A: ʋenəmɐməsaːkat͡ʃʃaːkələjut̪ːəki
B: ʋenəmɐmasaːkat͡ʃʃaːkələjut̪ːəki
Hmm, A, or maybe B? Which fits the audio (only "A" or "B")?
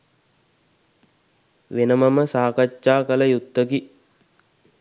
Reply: A